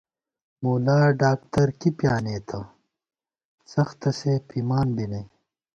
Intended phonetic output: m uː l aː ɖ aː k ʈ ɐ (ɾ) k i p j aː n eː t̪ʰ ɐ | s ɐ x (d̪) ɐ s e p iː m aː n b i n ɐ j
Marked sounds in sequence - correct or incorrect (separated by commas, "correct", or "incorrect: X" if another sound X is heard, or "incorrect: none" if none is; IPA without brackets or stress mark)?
correct, incorrect: t̪